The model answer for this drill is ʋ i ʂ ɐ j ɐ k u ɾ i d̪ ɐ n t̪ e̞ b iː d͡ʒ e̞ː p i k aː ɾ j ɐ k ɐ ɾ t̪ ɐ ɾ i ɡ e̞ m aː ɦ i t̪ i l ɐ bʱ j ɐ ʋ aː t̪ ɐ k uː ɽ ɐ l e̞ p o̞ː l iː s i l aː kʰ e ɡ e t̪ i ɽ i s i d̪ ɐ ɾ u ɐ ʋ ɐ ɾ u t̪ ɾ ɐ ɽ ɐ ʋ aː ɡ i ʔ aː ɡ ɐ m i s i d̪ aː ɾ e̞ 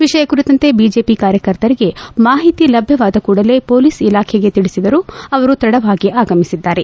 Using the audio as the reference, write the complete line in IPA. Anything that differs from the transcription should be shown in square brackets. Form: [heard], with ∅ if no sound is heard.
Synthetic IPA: ʋ i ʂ ɐ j ɐ k u ɾ i [t̪] ɐ n t̪ e̞ b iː d͡ʒ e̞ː p i k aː ɾ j ɐ k ɐ ɾ t̪ ɐ ɾ i ɡ e̞ m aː ɦ i t̪ i l ɐ bʱ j ɐ ʋ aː [d̪] ɐ k uː ɽ ɐ l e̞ p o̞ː l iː s i l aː kʰ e ɡ e t̪ i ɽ i s i d̪ ɐ ɾ u ɐ ʋ ɐ ɾ u t̪ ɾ ɐ ɽ ɐ ʋ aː ɡ i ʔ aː ɡ ɐ m i s i [d̪ː] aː ɾ e̞